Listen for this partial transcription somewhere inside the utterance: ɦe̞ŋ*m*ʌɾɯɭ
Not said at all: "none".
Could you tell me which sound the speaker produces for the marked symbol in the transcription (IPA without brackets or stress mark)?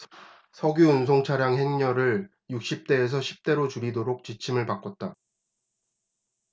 ɲ